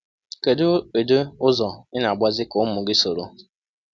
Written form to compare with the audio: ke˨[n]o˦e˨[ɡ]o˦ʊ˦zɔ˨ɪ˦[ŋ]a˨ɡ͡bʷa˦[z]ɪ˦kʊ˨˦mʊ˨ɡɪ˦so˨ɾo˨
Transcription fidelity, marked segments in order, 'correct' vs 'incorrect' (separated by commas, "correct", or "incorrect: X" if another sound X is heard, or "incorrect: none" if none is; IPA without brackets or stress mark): incorrect: d, incorrect: d, incorrect: n, correct